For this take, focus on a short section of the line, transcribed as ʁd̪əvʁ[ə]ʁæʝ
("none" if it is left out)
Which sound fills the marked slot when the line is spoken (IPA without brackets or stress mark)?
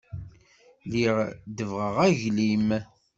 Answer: ə